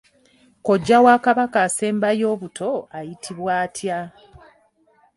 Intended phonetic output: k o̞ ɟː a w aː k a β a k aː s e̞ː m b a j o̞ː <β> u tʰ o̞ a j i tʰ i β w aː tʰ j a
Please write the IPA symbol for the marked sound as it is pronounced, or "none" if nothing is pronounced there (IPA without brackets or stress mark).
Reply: β